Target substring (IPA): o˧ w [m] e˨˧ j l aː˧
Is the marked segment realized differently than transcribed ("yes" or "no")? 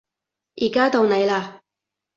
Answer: yes